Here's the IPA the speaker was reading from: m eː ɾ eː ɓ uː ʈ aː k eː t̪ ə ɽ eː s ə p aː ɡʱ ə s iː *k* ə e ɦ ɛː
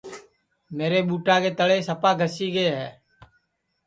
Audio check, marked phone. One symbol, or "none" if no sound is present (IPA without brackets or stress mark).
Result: ɡ